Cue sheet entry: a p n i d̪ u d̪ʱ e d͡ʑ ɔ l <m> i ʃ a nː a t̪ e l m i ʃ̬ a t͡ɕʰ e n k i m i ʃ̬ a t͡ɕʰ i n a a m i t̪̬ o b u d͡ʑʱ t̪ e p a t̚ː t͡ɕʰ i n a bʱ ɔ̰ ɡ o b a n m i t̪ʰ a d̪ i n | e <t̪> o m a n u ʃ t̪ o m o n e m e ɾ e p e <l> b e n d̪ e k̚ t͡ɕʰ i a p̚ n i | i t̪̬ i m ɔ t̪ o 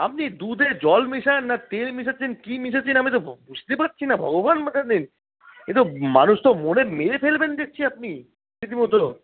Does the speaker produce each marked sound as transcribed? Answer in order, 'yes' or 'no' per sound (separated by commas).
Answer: yes, yes, yes